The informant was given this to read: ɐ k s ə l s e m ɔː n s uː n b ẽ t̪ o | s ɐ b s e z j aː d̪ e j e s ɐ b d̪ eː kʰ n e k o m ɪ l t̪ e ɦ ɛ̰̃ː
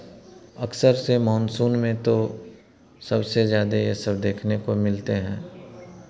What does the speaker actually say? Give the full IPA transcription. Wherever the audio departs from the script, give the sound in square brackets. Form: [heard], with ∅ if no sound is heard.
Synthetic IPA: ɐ k s ə [ɾ] s e m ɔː n s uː n [m] ẽ t̪ o | s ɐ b s e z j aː d̪ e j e s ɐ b d̪ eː kʰ n e k o m ɪ l t̪ e ɦ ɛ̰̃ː

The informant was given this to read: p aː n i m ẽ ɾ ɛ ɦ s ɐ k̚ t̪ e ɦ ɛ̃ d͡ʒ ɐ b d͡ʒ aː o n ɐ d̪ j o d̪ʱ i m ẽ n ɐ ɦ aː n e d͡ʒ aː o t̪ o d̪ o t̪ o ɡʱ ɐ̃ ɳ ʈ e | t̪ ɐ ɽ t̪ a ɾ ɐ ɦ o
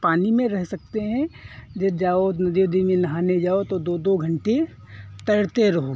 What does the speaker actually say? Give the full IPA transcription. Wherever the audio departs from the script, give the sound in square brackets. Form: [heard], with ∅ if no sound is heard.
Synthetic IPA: p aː n i m ẽ ɾ ɛ ɦ s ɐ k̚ t̪ e ɦ ɛ̃ d͡ʒ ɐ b d͡ʒ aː o n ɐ d̪ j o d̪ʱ i m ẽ n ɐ ɦ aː n e d͡ʒ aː o t̪ o d̪ o [d̪] o ɡʱ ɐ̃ ɳ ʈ e | t̪ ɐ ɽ t̪ [e] ɾ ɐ ɦ o

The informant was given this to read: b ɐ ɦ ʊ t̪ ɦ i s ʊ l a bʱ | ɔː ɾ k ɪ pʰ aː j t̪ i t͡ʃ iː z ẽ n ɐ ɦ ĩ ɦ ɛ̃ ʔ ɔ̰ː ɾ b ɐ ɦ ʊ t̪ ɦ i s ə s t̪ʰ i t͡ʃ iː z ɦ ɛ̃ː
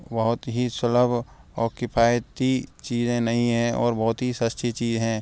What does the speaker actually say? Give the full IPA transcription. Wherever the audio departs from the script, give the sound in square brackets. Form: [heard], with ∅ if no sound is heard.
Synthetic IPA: b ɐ ɦ ʊ t̪ ɦ i s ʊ l [ə] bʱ | ɔː ɾ k ɪ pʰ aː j t̪ i t͡ʃ iː z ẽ n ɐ ɦ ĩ ɦ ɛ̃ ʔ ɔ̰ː ɾ b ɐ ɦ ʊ t̪ ɦ i s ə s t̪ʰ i t͡ʃ iː z ɦ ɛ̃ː

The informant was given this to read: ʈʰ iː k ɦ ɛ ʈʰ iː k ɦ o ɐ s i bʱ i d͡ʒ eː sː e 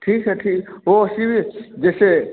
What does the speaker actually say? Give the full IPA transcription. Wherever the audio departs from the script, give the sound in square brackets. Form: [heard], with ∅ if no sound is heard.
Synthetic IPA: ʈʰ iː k ɦ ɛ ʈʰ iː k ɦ o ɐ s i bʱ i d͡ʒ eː [s] e

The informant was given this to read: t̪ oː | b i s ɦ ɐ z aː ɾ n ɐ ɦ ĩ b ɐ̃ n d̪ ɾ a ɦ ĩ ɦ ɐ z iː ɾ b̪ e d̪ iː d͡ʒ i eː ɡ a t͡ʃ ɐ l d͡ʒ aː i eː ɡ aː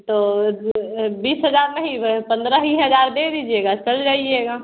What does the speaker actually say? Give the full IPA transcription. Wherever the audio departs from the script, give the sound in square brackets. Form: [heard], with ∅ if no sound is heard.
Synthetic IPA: t̪ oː | b [iː] s ɦ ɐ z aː ɾ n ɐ ɦ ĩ [p] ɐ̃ n d̪ ɾ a ɦ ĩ ɦ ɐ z [aː] ɾ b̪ e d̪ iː d͡ʒ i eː ɡ a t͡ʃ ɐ l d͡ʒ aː i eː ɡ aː

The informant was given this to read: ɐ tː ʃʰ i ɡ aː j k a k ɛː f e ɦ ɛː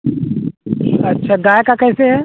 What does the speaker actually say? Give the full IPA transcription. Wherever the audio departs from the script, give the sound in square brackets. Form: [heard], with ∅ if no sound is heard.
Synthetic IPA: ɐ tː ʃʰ [a] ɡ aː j k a k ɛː [s] e ɦ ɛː

